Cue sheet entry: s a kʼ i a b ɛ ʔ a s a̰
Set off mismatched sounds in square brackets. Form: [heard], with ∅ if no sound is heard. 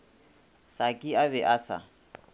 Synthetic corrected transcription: s a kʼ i a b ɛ ʔ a s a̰